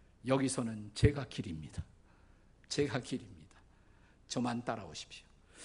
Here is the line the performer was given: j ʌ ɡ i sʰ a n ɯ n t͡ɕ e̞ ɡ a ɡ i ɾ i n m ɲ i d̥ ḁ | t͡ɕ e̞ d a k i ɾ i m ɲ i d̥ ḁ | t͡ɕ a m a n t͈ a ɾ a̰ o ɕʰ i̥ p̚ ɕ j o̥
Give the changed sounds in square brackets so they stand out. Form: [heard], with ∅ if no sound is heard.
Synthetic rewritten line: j ʌ ɡ i sʰ [ʌ] n ɯ n t͡ɕ e̞ ɡ a [k] i ɾ i [∅] m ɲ i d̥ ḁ | t͡ɕ e̞ [ɡ] a k i ɾ i m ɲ i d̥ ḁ | t͡ɕ [ʌ] m a n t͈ a ɾ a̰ o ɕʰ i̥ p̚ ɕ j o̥